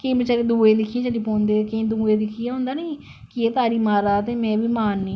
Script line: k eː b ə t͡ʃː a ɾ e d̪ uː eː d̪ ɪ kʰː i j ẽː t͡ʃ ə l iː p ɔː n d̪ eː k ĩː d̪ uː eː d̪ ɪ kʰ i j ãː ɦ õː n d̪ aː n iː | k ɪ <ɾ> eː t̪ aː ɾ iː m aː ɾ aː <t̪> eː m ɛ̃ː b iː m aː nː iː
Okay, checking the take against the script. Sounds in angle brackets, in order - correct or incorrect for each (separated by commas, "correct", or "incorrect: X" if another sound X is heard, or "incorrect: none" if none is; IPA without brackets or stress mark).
incorrect: none, correct